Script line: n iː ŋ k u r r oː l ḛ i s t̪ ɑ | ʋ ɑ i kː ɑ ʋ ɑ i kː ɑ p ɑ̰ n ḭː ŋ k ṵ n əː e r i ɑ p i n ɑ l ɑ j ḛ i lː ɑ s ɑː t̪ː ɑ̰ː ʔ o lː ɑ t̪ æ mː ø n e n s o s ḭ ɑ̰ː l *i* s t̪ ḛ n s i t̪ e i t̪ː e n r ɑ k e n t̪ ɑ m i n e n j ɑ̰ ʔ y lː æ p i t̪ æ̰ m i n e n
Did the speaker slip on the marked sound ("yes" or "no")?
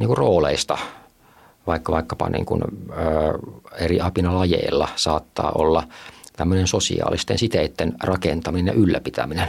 no